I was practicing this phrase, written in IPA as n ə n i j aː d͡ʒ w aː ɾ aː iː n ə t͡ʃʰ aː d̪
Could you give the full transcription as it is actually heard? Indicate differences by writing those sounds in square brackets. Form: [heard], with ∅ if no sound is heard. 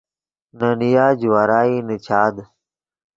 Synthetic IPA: n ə n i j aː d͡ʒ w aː ɾ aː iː n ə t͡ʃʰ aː d̪

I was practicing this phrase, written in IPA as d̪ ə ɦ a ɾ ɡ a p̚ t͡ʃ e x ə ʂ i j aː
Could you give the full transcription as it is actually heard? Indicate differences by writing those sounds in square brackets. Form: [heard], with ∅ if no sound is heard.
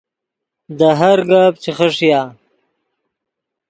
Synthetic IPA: d̪ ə ɦ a ɾ ɡ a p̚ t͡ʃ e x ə ʂ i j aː

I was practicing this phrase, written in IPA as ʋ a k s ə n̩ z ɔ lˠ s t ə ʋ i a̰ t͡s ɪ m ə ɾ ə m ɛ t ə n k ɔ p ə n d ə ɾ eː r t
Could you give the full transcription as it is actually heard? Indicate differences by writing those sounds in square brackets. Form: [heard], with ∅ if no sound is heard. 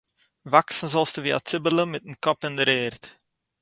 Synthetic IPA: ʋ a k s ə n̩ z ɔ lˠ s t ə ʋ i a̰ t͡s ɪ [b] ə [l] ə m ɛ t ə n k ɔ p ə n d ə ɾ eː r t

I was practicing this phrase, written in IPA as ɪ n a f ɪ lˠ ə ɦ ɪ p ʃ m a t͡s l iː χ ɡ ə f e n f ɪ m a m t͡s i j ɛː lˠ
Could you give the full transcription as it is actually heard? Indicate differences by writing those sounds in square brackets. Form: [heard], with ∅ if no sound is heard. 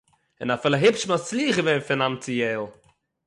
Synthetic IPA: ɪ n a f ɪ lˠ ə ɦ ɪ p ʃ m a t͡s l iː χ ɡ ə [v] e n f ɪ [n] a m t͡s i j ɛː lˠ

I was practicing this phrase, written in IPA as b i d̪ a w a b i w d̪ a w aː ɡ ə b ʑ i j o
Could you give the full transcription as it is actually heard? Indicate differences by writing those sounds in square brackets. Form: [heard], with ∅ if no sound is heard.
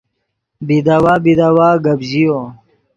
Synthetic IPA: b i d̪ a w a b i [∅] d̪ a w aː ɡ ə b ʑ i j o

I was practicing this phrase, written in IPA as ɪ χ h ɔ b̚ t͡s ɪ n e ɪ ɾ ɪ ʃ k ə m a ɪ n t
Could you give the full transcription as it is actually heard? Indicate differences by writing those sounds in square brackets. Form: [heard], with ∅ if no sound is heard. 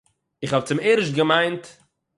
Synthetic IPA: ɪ χ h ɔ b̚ t͡s ɪ [m] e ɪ ɾ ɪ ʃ [ɡ] ə m a ɪ n t

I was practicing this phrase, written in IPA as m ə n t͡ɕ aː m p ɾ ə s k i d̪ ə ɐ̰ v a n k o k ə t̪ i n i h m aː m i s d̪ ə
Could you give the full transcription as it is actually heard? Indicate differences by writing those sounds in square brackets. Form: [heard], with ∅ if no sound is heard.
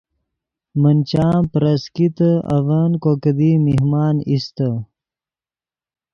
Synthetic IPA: m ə n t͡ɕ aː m p ɾ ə s k i [t̪] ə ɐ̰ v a n k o k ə [d̪] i [m] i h m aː [n] i s [t̪] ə

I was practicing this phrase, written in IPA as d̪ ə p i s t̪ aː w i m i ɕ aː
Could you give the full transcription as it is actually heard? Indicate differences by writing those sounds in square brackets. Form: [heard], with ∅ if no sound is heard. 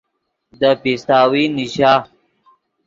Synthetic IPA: d̪ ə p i s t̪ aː w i [n] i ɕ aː

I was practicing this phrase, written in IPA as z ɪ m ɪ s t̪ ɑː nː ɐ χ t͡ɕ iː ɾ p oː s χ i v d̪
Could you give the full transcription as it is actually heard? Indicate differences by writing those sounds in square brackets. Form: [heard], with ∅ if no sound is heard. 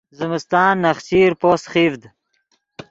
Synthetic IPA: z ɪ m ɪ s t̪ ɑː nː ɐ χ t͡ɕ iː ɾ p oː s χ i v d̪

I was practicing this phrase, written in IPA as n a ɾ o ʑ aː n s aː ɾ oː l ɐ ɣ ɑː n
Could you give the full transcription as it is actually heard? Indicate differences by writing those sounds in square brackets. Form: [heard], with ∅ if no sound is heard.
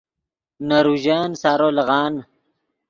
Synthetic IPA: n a ɾ [u] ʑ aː n s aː ɾ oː l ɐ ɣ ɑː n

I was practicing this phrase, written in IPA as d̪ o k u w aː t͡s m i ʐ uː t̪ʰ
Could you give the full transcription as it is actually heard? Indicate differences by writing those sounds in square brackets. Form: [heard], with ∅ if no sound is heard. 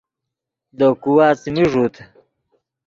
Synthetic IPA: d̪ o k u w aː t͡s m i ʐ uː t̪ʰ

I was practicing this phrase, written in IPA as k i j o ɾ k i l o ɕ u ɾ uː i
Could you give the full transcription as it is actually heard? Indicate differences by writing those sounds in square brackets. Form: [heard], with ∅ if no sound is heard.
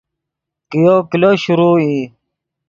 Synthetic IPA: k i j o [∅] k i l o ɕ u ɾ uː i

